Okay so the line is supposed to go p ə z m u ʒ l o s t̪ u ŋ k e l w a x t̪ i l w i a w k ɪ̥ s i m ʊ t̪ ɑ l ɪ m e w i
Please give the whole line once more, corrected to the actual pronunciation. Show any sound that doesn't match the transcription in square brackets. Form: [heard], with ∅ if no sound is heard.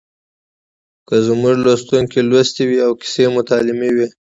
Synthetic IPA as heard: [k] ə z m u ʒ l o s t̪ u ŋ k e l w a [s] t̪ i [∅] w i a w k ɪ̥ s [e] m ʊ t̪ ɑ l ɪ m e w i